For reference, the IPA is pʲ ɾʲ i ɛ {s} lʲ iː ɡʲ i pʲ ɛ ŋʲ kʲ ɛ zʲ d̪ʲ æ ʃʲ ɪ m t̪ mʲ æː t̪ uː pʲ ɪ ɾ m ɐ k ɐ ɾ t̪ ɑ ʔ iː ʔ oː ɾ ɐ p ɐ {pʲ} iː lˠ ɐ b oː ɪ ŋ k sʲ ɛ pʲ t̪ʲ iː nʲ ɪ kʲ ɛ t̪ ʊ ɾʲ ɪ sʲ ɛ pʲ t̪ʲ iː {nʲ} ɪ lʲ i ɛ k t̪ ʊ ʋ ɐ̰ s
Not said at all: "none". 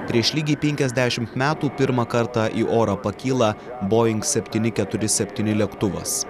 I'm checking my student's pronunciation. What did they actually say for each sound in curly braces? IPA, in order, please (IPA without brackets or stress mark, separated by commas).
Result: ʃ, kʲ, nʲ